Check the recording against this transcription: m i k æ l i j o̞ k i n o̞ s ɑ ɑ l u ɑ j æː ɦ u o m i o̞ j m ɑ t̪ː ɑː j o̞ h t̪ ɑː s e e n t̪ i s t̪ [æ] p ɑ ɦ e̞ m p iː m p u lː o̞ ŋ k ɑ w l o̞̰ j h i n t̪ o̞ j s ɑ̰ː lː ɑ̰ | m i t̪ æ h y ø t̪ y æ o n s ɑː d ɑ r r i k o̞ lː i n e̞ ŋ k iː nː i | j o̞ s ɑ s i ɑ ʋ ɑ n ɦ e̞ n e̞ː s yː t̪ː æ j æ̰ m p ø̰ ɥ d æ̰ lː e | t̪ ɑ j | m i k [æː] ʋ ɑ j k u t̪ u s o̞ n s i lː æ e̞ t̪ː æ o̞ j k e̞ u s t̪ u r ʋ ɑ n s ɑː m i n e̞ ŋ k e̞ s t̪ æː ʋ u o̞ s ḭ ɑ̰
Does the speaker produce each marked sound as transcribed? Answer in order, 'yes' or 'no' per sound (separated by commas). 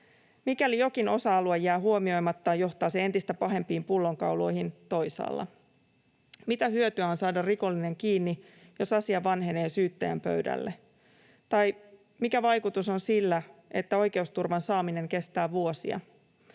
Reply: yes, no